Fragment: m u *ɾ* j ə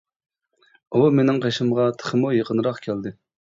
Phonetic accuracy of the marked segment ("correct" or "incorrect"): incorrect